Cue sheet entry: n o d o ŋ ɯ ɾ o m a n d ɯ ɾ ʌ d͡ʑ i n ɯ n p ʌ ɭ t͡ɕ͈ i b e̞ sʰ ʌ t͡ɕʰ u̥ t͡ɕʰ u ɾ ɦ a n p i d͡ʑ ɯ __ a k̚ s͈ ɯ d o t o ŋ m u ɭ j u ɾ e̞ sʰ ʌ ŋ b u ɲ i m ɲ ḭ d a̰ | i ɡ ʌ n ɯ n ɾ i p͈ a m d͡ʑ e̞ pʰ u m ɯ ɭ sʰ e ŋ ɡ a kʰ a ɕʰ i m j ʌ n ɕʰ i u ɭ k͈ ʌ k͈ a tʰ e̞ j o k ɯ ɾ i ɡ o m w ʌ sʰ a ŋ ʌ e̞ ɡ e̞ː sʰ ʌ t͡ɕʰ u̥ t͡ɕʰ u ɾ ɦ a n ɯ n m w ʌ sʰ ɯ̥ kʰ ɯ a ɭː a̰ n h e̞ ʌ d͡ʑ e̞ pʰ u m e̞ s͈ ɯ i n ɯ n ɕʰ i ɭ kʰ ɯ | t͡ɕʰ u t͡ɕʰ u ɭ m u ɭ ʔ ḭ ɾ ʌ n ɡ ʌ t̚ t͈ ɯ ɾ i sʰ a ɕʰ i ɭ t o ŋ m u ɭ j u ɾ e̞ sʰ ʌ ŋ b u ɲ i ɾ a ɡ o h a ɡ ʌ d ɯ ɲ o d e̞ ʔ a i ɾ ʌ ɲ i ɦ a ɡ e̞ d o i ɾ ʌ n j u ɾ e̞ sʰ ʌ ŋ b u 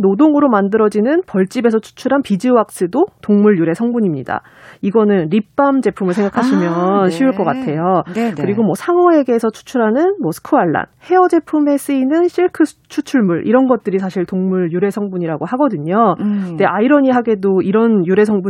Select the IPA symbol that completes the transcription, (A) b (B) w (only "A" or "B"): B